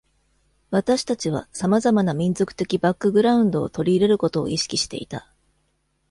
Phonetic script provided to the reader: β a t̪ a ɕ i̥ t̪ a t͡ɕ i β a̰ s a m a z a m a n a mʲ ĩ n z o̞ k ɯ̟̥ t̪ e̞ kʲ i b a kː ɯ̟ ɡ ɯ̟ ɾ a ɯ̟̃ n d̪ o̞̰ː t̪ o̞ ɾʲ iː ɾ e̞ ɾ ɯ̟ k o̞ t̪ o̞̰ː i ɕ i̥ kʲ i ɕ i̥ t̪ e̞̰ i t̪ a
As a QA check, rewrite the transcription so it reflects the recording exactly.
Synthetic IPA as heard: β a t̪ a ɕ i̥ t̪ a t͡ɕ i β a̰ s a m a z a m a n a mʲ ĩ n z o̞ k ɯ̟̥ t̪ e̞ kʲ i b a kː ɯ̟ ɡ ɯ̟ ɾ a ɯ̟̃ n d̪ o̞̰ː t̪ o̞ ɾʲ iː ɾ e̞ ɾ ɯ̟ k o̞ t̪ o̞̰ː i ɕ i̥ kʲ i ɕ i̥ t̪ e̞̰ i t̪ a